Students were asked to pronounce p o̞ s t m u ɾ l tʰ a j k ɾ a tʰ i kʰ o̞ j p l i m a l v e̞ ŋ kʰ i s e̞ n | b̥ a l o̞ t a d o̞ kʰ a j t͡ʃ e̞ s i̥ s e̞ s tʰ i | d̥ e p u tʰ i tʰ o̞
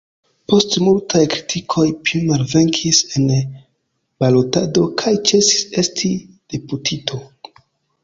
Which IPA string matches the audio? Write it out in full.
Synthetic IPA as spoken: p o̞ s t m u l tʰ a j k ɾ i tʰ i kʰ o̞ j p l i m a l v e̞ ŋ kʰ i s e̞ n | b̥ a l o̞ t a d o̞ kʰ a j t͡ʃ e̞ s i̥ s e̞ s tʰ i | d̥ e p u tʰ i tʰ o̞